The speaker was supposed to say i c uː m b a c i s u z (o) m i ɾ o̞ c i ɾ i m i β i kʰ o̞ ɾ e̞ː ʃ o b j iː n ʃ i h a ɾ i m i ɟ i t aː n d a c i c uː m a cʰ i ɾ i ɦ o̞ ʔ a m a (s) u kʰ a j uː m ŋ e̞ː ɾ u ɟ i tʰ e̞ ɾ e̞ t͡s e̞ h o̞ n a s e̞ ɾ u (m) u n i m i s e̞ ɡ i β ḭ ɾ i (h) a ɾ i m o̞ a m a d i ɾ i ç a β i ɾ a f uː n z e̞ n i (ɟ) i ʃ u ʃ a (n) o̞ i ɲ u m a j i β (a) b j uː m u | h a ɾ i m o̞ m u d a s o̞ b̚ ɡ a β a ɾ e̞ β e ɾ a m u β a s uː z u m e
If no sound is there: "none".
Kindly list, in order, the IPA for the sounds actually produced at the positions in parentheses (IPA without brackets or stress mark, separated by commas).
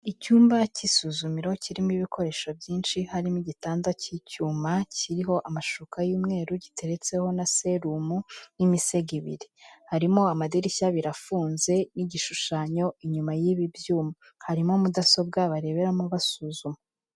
u, ʃ, m, h, ɟ, ɲ, i